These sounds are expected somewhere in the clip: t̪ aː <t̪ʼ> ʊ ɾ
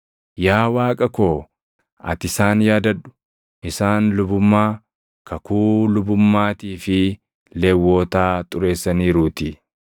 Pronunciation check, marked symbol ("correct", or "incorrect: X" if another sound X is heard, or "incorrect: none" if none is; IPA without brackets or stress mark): correct